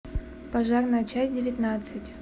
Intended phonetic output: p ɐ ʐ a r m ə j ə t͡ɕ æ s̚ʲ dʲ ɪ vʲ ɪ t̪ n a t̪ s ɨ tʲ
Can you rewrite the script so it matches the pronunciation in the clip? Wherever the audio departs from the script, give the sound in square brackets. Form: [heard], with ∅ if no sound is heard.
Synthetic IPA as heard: p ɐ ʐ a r [n] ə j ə t͡ɕ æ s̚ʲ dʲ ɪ vʲ ɪ t̪ n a t̪ s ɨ tʲ